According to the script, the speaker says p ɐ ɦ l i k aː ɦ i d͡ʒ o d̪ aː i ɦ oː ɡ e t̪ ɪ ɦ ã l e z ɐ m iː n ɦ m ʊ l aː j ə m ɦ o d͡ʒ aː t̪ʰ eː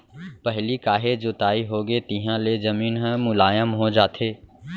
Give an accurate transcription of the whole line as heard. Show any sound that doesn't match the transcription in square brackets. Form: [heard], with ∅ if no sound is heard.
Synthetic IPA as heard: p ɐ ɦ l i k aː ɦ [e] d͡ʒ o [t̪] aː i ɦ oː ɡ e t̪ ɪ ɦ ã l e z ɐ m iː n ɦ m ʊ l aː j ə m ɦ o d͡ʒ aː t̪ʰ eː